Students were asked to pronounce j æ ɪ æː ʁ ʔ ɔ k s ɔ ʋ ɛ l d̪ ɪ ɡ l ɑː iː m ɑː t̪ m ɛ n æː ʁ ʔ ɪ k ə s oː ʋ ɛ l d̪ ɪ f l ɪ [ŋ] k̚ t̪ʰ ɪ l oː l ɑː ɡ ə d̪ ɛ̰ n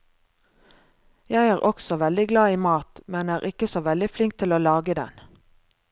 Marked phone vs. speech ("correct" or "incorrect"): correct